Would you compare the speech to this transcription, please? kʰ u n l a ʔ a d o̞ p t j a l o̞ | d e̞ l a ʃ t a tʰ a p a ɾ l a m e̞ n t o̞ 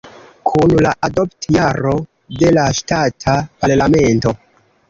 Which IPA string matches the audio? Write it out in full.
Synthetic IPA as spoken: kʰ u n l a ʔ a d o̞ p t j a ɾ o̞ | d e̞ l a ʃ t a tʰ a p a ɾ l a m e̞ n t o̞